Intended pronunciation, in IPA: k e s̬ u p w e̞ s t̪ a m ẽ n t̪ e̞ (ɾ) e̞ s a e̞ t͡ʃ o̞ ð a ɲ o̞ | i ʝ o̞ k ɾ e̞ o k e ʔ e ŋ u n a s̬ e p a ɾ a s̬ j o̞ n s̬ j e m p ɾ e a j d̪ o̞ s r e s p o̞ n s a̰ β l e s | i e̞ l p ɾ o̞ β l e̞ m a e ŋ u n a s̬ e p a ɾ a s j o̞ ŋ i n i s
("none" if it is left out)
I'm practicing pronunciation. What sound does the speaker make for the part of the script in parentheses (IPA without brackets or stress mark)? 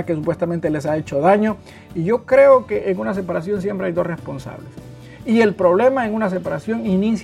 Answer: l